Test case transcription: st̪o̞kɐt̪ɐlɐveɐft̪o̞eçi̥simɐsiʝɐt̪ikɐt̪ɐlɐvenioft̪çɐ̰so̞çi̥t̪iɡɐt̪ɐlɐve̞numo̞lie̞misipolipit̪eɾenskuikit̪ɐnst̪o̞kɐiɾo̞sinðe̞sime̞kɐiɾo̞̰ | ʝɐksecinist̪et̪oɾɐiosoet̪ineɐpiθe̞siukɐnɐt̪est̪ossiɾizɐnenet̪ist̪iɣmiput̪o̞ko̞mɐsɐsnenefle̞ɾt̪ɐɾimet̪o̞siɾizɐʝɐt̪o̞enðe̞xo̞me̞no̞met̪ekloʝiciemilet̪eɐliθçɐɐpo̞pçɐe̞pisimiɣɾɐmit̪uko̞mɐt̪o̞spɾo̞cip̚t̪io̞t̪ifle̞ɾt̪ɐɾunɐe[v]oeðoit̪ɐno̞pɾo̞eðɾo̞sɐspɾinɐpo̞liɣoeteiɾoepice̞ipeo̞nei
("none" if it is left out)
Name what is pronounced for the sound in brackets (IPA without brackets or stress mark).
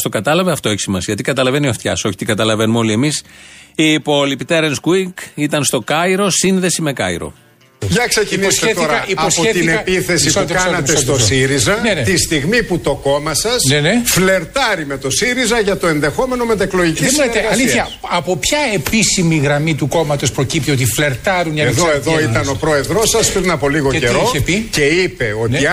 ð